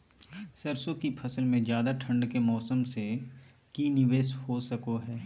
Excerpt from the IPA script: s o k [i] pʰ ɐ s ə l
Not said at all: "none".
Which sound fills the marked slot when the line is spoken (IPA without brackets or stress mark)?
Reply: i